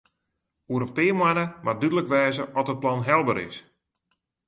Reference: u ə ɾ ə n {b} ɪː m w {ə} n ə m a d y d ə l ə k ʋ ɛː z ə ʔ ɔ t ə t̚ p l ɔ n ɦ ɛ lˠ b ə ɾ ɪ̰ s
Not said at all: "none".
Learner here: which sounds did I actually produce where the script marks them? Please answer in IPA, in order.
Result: p, a

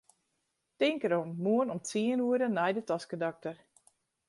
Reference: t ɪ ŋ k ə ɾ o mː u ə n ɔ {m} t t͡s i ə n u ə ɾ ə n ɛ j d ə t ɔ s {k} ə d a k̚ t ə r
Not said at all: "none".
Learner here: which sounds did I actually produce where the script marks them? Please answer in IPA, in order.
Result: m, k

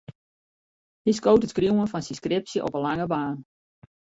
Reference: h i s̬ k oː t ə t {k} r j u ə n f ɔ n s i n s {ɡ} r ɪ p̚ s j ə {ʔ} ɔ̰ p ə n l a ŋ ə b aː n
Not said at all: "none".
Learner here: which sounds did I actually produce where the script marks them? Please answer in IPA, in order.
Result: k, k, ʔ

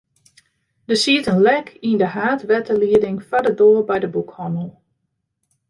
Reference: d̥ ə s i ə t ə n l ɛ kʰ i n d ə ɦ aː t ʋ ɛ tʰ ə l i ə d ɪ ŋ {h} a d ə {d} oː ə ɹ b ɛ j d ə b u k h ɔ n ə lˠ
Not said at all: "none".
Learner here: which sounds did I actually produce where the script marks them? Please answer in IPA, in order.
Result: f, d

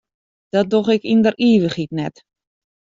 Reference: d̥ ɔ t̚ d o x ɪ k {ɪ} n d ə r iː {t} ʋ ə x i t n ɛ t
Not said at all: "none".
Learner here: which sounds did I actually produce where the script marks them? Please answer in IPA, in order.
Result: i, none

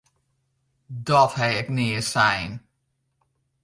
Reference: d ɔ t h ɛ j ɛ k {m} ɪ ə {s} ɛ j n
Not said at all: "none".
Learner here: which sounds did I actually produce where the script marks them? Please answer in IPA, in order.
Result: n, s

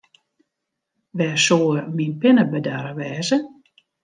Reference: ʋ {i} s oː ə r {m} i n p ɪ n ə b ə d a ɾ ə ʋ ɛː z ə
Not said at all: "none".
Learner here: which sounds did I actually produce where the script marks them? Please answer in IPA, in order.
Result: ɛ, m

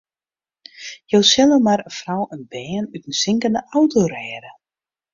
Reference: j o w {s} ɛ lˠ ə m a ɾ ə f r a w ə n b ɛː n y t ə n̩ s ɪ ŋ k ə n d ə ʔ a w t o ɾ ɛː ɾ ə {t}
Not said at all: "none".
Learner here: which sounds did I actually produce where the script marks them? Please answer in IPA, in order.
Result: s, none

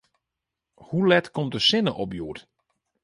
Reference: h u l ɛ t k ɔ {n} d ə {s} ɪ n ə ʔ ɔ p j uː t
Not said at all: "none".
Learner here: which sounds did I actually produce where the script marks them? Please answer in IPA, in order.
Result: m, s

